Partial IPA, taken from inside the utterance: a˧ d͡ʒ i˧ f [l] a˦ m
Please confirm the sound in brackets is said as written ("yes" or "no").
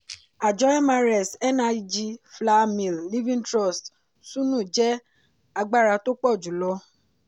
yes